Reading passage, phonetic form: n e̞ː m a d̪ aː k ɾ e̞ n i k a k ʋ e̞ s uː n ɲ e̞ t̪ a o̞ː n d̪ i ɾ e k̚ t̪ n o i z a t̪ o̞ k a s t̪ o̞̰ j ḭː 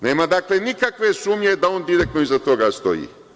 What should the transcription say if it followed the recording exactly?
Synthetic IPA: n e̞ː m a d̪ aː k l e̞ n i k a k ʋ e̞ s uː m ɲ e̞ d̪ a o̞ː n d̪ i ɾ e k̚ t̪ n o i z a t̪ o̞ ɡ a s t̪ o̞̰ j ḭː